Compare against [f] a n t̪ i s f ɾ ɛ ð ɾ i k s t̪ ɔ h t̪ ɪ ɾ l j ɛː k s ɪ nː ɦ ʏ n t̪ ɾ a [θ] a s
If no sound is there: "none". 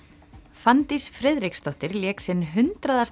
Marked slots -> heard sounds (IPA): f, ð

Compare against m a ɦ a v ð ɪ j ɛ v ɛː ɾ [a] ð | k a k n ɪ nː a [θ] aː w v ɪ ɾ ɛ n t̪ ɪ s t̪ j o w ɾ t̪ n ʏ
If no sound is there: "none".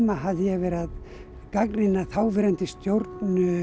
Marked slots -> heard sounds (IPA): a, θ

